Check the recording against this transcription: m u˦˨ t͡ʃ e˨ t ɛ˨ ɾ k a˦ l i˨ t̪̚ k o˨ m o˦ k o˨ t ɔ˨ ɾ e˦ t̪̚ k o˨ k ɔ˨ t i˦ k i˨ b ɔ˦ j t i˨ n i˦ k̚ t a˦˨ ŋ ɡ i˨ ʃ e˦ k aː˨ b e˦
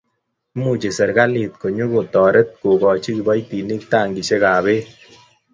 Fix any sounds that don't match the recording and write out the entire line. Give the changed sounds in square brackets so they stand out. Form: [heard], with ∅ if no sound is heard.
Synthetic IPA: m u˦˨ t͡ʃ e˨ [s] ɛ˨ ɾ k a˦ l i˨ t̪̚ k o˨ [ɲ] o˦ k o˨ t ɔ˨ ɾ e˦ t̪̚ k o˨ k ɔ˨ [t͡ʃ] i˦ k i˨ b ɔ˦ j t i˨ n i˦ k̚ t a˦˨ ŋ ɡ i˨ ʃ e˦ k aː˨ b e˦